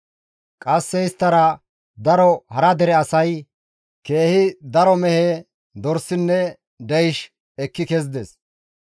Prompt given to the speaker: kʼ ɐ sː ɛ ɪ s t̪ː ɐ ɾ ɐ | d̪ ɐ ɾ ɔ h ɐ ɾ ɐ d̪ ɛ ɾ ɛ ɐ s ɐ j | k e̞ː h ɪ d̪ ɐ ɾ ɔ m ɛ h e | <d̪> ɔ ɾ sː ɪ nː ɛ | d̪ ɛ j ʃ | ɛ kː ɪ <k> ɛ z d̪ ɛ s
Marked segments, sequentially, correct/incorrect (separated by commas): correct, correct